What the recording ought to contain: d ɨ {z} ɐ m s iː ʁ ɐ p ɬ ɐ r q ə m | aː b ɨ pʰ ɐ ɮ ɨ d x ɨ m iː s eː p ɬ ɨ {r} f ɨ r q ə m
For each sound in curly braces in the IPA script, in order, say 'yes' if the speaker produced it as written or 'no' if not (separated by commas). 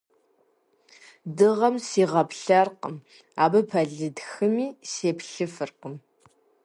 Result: no, no